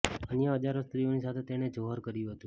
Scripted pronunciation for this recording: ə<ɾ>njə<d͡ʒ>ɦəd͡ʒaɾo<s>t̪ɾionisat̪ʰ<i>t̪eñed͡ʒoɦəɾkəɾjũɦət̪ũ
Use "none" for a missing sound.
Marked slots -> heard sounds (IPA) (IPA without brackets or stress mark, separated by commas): none, none, s, e